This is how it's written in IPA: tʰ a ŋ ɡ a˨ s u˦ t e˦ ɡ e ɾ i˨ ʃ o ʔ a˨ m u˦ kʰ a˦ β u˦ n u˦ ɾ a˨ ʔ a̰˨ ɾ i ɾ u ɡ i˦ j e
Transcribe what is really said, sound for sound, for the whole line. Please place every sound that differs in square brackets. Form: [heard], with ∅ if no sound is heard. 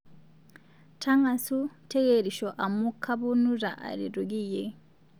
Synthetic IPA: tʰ a ŋ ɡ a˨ s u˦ t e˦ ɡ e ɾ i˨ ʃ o ʔ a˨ m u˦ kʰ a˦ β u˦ n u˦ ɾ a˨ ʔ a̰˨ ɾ i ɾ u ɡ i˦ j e